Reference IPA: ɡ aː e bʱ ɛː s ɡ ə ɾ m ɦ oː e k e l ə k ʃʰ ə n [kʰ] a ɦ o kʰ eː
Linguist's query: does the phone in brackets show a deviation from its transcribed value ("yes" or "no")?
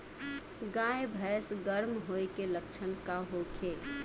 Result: yes